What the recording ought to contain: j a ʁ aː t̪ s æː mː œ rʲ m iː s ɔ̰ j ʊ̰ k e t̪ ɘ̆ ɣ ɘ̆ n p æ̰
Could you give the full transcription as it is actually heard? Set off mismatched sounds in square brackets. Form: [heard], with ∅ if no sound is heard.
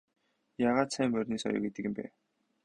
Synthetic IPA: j a ʁ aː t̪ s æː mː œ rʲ [n] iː s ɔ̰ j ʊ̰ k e t̪ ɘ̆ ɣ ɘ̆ [m] p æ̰